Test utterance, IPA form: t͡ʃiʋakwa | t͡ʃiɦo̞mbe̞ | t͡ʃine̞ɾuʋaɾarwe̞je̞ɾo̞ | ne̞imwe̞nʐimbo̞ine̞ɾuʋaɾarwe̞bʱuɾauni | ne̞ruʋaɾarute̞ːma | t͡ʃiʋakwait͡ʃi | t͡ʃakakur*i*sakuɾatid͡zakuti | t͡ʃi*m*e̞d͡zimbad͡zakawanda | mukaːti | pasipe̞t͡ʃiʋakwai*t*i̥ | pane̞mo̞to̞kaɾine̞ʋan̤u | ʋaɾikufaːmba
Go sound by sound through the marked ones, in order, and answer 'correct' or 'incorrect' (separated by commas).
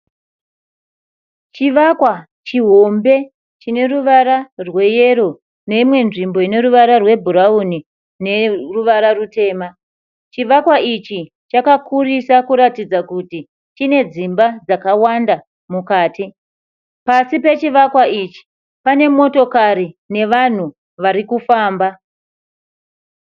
correct, incorrect, incorrect